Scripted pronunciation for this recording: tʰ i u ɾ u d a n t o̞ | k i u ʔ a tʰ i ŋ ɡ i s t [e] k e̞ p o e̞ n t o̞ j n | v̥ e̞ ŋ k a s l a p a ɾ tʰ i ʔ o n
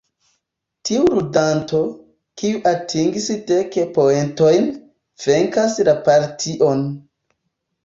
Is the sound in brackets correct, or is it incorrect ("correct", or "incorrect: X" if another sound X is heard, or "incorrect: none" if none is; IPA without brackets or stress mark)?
correct